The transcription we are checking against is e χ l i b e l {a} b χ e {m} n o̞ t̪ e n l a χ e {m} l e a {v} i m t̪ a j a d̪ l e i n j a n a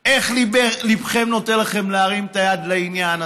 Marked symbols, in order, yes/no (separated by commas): no, yes, yes, no